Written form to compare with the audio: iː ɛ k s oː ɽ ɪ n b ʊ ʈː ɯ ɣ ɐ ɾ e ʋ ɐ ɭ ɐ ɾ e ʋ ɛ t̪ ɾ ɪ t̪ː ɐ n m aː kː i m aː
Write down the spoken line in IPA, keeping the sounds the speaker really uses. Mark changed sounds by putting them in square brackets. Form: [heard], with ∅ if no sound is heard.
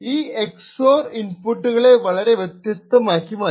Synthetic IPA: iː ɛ k s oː [ɾ] ɪ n [p] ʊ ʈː ɯ ɣ ɐ [ɭ] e ʋ ɐ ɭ ɐ ɾ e ʋ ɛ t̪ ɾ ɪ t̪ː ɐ [∅] m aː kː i m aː